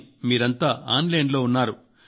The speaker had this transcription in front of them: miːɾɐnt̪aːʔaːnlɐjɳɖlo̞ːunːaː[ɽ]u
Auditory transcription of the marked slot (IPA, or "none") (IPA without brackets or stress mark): ɾ